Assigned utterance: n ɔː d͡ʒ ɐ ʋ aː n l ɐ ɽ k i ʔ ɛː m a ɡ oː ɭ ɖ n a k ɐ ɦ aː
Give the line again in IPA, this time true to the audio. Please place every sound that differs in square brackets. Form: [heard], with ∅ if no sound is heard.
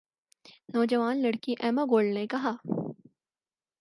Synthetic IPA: n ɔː d͡ʒ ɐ ʋ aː n l ɐ ɽ k i ʔ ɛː m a ɡ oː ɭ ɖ n [e] k ɐ ɦ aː